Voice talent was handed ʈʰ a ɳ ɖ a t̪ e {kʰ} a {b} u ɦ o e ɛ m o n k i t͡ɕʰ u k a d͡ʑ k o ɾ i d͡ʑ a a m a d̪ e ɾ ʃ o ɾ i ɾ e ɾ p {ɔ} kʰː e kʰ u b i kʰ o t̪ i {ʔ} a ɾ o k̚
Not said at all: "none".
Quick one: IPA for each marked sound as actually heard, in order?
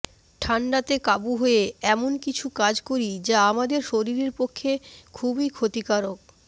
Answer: k, b, o, k

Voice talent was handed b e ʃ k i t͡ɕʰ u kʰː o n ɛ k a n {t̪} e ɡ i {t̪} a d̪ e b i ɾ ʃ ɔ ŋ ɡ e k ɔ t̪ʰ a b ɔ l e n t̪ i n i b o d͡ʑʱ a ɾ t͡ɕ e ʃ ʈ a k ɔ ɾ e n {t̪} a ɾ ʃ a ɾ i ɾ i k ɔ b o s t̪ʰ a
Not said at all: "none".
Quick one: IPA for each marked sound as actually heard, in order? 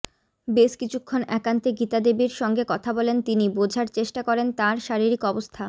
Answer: t̪, t̪, t̪

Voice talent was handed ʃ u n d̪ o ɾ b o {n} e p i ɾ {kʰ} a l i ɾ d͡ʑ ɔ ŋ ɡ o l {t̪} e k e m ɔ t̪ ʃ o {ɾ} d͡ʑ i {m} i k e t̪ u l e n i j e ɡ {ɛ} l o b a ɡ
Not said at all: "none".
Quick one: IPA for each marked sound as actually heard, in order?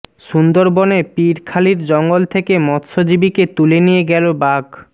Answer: n, kʰ, t̪ʰ, none, b, ɛ

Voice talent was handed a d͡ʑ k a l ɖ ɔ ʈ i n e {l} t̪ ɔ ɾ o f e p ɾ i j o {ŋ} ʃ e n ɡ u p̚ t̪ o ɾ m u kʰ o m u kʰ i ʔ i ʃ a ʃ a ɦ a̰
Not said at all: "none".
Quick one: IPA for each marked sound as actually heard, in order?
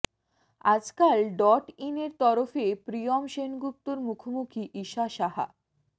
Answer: ɾ, m

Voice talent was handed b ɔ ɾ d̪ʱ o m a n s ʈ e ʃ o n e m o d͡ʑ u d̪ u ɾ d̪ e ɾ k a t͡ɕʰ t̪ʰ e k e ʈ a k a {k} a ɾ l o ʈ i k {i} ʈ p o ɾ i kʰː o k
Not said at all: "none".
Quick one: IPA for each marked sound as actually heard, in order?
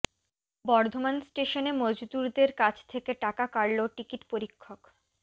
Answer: k, i

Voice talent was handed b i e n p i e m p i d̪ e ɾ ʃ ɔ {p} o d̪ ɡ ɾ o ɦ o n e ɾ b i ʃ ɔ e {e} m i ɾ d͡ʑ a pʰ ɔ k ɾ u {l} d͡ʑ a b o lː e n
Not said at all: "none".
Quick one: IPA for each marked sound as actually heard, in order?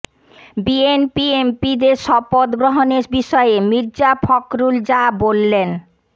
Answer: p, e, l

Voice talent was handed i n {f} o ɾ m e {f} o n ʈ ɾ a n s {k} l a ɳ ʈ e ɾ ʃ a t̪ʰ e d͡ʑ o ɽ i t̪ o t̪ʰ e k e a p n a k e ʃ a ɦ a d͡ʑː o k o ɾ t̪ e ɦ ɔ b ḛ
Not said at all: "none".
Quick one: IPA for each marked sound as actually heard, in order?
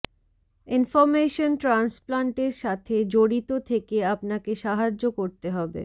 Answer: f, ʃ, p

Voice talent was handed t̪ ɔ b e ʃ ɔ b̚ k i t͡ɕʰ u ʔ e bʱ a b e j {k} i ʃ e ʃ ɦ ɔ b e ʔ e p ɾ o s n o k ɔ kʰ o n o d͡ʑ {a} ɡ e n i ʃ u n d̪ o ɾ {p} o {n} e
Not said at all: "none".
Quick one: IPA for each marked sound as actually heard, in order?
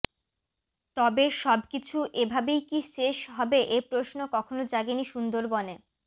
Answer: k, a, b, n

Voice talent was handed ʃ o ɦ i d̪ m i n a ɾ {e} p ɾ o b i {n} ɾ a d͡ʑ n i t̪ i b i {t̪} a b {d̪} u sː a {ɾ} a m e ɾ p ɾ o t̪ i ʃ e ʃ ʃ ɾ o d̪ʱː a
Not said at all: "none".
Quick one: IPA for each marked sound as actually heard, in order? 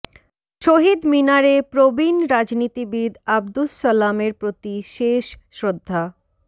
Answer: e, n, d̪, d̪, l

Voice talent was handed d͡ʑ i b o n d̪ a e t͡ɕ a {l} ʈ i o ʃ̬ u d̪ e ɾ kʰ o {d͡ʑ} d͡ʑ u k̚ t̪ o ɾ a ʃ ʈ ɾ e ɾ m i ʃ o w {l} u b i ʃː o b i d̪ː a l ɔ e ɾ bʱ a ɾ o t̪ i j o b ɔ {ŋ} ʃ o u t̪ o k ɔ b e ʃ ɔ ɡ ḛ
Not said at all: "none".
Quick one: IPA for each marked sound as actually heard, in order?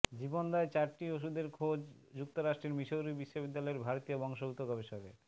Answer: ɾ, d͡ʑ, ɾ, ŋ

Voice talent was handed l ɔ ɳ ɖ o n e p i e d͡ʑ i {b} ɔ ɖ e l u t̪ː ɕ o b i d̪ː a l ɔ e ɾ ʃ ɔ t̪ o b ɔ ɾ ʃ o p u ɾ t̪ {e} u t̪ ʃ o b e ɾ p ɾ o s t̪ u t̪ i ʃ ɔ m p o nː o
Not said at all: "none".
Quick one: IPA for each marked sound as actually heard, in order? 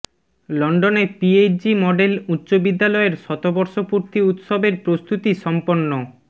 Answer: m, i

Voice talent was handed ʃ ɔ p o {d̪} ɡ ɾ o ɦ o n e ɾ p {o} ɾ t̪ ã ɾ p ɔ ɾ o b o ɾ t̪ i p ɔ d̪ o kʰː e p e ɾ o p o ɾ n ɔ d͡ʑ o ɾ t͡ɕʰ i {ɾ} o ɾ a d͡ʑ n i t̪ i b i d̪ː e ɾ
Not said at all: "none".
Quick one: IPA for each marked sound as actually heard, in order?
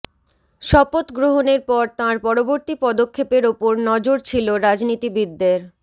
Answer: t̪, ɔ, l

